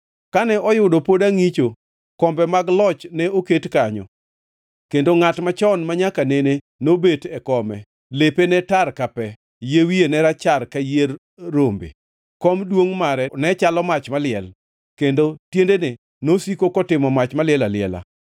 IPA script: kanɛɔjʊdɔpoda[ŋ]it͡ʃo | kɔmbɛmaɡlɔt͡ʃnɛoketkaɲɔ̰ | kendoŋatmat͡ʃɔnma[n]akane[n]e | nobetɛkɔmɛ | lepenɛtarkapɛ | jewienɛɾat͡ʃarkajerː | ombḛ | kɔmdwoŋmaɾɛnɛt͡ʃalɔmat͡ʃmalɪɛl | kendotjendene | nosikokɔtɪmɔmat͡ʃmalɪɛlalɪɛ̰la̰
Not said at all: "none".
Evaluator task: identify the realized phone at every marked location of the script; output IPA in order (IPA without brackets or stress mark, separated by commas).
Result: ŋ, ɲ, n